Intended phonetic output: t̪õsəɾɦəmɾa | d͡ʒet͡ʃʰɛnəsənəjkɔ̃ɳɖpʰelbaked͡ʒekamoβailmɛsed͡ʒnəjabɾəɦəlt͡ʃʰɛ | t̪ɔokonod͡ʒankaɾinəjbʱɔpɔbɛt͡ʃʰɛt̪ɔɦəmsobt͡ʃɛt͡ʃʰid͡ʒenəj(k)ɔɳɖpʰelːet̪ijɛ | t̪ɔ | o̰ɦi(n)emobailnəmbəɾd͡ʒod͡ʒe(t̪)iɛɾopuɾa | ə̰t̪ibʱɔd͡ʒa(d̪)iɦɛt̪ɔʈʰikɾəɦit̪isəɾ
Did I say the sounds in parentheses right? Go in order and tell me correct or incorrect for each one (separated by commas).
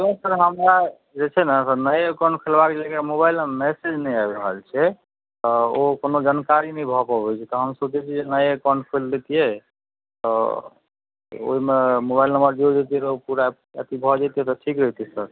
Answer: correct, incorrect, correct, incorrect